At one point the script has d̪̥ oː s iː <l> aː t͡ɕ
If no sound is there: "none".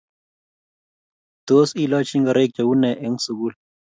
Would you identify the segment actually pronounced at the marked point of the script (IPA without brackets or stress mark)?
l